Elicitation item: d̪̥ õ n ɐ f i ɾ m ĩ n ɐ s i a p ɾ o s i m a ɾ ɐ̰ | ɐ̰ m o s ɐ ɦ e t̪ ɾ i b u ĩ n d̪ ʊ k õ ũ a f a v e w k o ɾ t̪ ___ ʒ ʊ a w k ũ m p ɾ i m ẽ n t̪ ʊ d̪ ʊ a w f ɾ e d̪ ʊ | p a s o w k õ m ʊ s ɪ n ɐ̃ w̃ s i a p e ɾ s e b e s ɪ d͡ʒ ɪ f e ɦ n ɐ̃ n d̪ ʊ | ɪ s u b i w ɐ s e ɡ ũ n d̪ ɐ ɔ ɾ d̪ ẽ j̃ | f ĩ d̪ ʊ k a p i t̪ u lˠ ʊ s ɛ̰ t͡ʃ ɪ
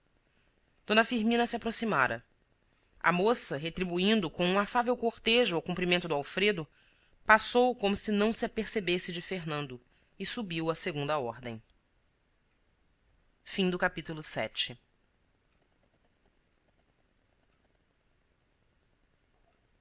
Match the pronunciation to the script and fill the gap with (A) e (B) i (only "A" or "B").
A